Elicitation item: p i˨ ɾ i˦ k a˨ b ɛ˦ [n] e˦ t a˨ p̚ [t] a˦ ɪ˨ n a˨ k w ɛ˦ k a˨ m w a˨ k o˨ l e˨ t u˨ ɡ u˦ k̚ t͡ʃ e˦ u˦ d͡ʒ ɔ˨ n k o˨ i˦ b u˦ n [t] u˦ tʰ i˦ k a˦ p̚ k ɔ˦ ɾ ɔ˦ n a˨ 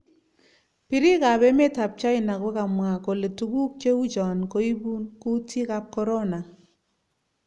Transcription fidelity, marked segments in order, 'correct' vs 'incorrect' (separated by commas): incorrect, incorrect, incorrect